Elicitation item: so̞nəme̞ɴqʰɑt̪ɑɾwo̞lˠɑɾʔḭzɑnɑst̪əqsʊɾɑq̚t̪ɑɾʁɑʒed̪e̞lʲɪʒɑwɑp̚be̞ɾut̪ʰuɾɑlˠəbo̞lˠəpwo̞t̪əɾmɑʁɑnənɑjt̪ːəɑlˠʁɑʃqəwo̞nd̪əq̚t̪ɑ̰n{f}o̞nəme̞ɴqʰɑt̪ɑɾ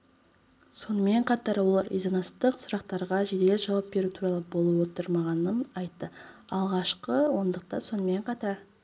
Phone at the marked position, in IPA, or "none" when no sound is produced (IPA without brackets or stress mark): s